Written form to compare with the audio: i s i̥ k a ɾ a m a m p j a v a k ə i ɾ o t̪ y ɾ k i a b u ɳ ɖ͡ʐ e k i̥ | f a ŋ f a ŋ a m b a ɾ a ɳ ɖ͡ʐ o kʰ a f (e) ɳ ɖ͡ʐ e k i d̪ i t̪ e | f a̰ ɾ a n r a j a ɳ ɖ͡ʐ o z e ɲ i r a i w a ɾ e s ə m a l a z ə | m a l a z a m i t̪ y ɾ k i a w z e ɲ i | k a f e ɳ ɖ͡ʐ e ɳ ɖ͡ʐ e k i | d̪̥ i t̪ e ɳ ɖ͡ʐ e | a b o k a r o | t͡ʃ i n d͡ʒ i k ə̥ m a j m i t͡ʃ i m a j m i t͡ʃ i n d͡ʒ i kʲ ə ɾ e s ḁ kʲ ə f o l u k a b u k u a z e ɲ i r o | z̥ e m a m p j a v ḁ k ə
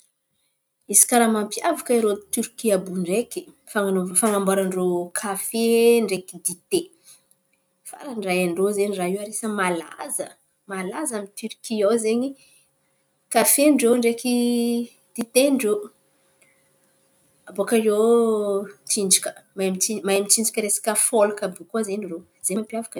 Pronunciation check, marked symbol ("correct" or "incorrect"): correct